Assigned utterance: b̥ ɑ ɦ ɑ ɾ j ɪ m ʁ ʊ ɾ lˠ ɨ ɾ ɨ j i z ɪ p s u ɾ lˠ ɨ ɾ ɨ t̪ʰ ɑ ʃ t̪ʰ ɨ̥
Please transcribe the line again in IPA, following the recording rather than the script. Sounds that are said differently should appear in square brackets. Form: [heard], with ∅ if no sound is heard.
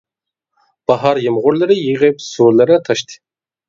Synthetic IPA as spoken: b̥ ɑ ɦ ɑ ɾ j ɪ m ʁ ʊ ɾ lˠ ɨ ɾ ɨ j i [ʁ] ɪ p s u ɾ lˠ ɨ ɾ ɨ t̪ʰ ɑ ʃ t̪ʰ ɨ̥